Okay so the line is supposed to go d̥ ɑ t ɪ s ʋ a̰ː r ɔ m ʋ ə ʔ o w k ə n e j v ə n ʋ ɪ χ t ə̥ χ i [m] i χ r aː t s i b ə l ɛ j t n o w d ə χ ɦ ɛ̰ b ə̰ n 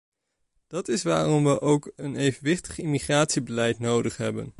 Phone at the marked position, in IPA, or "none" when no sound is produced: m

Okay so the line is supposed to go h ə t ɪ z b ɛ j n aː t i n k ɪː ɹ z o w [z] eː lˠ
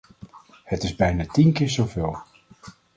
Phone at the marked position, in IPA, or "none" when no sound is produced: v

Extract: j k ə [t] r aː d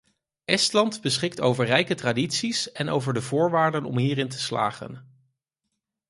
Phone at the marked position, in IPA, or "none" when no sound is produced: t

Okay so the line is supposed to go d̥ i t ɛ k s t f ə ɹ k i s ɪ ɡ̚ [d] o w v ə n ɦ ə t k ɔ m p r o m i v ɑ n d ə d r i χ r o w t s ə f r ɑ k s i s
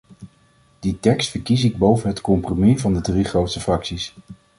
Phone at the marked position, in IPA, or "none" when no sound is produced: b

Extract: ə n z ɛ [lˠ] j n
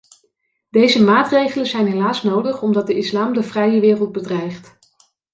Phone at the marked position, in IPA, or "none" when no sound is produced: none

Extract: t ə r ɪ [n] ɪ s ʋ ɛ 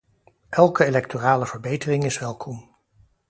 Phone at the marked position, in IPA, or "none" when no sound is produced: ŋ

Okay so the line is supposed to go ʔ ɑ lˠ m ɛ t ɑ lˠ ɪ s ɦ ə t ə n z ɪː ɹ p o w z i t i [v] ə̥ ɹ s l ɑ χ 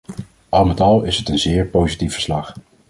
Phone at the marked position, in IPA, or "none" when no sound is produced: f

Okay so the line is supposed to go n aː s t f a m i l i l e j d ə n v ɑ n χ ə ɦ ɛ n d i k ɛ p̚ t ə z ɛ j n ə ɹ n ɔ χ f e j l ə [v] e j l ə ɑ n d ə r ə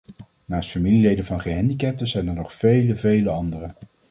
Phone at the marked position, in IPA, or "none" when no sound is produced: v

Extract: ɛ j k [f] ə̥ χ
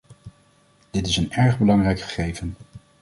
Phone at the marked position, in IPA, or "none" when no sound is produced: χ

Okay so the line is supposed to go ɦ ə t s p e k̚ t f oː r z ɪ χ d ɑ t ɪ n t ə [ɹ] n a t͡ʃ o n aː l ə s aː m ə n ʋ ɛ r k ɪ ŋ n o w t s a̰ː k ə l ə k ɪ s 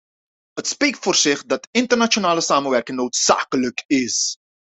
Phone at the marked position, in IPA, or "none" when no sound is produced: r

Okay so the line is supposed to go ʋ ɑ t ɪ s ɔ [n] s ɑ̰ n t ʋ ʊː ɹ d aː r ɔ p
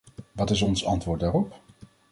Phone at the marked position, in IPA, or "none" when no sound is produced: n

